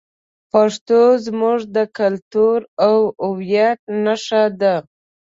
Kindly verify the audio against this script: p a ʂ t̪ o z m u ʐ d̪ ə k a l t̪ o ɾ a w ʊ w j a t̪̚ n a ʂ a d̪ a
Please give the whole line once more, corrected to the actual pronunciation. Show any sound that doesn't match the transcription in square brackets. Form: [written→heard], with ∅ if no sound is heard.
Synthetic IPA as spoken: p a ʂ t̪ o z m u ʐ d̪ ə k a l t̪ [o→u] ɾ a w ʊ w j a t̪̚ n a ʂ a d̪ a